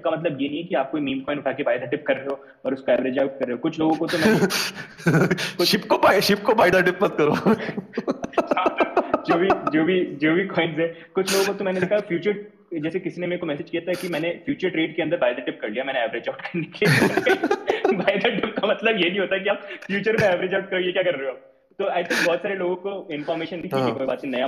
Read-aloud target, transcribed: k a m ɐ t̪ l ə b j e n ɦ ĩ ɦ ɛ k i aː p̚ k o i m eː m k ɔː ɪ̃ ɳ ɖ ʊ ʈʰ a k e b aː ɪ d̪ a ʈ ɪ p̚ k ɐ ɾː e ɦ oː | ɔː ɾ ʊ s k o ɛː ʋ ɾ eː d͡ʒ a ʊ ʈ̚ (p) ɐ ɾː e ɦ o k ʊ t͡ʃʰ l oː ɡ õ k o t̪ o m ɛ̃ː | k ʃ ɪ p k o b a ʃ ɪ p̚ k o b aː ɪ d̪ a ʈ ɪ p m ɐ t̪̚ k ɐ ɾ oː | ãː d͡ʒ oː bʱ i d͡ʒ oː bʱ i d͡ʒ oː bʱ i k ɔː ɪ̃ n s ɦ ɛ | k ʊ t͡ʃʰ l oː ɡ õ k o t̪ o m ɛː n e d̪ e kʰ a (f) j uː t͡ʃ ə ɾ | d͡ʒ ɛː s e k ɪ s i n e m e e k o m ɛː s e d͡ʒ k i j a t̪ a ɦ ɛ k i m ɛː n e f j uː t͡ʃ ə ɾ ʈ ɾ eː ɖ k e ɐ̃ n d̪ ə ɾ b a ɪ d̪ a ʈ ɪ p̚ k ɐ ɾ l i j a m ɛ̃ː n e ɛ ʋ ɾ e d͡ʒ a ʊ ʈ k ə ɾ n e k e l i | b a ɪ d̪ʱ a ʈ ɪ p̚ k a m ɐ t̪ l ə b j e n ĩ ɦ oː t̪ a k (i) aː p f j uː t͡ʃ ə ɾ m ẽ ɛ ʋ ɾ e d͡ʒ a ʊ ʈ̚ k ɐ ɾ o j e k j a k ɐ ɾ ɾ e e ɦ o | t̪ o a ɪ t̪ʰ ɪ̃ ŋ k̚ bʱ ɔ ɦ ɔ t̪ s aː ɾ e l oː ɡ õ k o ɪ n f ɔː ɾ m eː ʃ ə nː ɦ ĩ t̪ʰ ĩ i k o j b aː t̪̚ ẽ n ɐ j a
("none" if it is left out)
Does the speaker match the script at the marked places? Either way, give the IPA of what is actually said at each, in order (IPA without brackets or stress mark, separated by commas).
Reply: k, f, i